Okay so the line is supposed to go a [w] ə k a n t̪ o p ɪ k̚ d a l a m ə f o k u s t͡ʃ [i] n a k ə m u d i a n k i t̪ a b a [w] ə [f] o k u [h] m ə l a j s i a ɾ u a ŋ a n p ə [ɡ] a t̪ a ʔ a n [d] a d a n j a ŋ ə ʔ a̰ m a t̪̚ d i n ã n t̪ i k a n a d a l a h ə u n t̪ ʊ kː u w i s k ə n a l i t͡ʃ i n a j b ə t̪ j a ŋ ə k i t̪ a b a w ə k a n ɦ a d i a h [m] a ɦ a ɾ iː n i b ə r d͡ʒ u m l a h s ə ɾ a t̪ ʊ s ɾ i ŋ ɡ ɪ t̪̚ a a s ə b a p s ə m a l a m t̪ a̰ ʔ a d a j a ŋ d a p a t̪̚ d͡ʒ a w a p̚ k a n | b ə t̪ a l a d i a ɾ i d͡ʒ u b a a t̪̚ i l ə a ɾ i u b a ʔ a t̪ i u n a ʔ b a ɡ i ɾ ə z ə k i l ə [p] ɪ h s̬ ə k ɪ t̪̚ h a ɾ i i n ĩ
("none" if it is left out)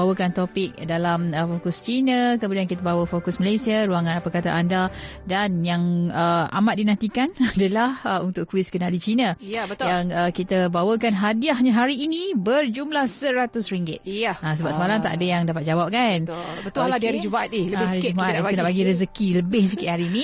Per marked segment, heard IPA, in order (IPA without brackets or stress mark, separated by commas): w, i, w, f, s, k, d, ɲ, b